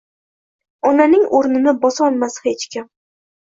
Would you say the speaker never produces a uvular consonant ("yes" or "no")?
yes